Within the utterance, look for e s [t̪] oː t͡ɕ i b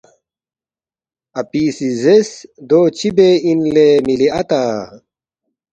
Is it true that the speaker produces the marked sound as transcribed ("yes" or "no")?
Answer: no